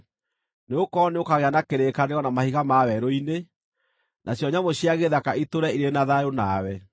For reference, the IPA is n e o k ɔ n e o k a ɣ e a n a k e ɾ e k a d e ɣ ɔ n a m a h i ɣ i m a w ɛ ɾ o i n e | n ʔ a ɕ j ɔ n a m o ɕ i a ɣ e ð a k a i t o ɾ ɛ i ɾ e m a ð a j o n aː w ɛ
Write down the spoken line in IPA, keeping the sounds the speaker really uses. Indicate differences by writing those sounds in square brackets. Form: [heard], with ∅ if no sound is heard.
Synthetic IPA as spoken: n e o k ɔ n e o k a ɣ e a n a k e ɾ e k a [n] e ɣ ɔ n a m a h i ɣ [a] m a w ɛ ɾ o i n e | n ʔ a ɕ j ɔ [ɲ] a m o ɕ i a ɣ e ð a k a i t o ɾ ɛ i ɾ e [n] a ð a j o n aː w ɛ